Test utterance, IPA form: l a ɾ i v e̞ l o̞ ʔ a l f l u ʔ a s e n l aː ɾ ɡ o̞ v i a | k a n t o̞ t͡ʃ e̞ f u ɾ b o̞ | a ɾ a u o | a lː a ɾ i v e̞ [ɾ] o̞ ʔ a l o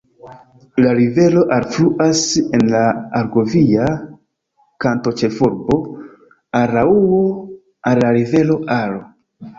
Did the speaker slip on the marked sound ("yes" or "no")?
yes